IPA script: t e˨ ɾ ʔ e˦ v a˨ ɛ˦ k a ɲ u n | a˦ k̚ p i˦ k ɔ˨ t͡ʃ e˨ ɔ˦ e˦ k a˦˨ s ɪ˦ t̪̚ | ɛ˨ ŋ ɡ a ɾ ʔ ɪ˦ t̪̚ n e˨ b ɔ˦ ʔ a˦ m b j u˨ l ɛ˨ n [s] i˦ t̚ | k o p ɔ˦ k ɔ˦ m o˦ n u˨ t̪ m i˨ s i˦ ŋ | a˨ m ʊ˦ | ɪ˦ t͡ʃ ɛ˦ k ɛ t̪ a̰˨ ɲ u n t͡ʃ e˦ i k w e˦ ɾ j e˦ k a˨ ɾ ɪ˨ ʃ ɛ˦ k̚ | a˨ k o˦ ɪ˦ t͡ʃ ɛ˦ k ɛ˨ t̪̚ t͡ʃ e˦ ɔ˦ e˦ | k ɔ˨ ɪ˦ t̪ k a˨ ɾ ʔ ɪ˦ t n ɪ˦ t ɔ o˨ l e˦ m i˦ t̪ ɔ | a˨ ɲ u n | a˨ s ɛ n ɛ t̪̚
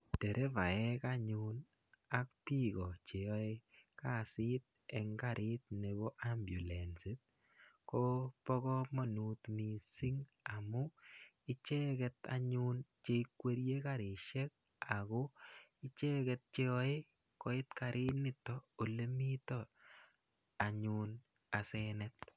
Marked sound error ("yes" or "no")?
no